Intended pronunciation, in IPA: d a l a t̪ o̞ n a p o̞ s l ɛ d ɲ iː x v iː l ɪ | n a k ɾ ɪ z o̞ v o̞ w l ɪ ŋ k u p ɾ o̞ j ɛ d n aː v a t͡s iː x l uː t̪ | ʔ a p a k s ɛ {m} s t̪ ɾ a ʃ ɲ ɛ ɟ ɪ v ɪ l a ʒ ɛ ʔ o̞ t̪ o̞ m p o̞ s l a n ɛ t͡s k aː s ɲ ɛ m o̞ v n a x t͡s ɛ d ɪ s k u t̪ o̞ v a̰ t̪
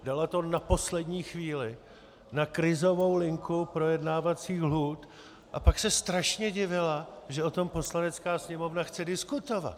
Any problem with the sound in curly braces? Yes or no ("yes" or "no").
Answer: yes